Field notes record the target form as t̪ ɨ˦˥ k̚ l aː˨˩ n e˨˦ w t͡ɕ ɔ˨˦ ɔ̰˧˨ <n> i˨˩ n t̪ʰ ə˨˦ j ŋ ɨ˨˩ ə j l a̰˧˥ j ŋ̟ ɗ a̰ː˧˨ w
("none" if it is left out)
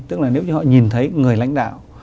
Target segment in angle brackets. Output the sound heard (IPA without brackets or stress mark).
ɲ